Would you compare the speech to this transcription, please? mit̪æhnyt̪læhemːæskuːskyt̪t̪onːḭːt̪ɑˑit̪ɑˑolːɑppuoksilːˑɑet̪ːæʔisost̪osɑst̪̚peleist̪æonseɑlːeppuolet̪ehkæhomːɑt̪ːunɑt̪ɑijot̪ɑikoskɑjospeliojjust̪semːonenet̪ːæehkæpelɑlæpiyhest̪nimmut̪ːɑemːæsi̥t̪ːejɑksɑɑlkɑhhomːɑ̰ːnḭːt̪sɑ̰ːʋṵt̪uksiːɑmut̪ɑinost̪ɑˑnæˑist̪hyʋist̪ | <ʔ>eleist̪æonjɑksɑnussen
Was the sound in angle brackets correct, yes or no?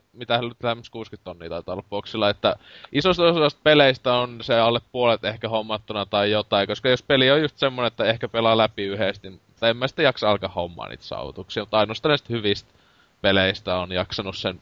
no